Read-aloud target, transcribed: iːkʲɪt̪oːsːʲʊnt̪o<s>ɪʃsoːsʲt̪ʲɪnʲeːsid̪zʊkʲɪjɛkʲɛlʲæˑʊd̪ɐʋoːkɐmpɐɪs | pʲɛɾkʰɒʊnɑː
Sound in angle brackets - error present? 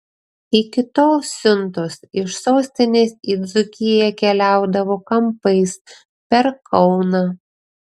no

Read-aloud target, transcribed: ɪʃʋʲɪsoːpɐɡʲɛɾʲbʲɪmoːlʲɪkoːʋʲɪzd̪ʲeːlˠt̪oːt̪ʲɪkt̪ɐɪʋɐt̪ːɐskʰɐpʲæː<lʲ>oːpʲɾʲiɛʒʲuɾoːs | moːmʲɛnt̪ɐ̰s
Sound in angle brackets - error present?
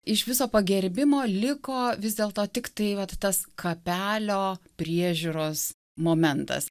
no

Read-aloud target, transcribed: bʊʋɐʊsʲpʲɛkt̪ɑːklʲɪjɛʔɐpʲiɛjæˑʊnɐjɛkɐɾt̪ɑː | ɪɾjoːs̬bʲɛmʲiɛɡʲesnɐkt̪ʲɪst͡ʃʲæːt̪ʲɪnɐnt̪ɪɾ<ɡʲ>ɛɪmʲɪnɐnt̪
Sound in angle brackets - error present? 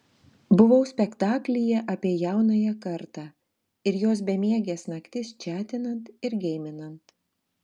no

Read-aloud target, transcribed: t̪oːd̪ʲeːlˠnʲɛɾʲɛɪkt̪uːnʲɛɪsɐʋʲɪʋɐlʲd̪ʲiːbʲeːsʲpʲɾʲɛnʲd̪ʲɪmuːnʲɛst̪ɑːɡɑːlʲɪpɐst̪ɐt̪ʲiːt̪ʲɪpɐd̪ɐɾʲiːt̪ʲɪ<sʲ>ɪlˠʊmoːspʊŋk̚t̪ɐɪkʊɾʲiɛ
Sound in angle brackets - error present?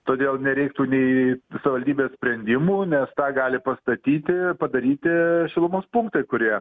yes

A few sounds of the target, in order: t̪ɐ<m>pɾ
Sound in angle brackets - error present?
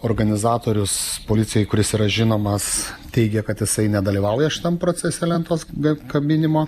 no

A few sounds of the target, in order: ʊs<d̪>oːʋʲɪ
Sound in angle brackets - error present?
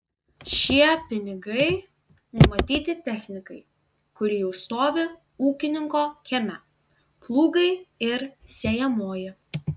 yes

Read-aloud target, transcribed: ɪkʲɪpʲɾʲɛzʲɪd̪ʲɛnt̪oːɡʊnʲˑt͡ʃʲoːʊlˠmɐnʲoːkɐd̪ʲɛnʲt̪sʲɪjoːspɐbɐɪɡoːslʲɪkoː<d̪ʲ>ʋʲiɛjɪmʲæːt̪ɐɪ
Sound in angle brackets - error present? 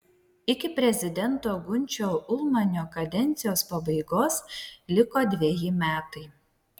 no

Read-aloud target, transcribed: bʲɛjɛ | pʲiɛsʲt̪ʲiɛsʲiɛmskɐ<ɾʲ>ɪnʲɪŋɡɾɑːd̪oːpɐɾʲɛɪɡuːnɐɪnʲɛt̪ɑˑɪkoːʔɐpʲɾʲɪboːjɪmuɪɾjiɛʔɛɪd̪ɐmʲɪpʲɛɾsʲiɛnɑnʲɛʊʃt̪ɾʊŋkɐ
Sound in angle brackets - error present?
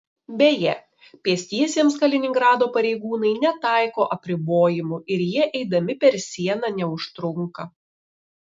yes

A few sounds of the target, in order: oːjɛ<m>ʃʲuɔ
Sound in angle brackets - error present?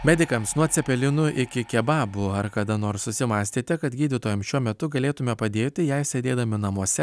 no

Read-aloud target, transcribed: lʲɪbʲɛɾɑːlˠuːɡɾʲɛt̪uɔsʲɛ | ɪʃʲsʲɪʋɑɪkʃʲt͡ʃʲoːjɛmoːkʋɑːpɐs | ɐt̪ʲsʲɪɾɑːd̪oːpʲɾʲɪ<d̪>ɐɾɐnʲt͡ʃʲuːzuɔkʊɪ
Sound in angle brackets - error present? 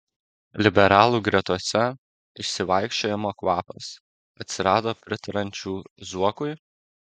yes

